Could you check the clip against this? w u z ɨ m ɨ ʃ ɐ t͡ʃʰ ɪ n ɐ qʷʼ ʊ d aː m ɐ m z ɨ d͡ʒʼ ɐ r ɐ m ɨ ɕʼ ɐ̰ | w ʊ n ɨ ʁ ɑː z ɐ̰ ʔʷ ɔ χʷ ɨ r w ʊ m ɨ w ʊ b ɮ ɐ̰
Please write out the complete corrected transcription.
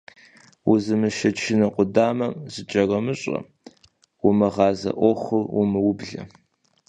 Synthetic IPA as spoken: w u z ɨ m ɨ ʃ ɐ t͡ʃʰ ɪ n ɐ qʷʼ ʊ d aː m ɐ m z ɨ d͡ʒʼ ɐ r ɐ m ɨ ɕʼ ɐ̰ | w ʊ m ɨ ʁ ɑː z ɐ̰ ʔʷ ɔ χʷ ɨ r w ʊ m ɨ w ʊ b ɮ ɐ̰